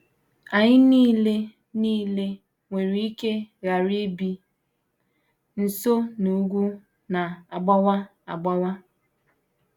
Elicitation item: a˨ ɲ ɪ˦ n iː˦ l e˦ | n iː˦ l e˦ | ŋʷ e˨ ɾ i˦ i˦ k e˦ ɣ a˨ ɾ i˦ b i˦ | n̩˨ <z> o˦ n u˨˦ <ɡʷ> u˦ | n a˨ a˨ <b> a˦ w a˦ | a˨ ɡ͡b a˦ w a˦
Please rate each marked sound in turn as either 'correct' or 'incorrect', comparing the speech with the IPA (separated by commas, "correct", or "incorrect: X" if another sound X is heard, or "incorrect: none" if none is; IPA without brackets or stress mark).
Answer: incorrect: s, correct, incorrect: ɡ͡b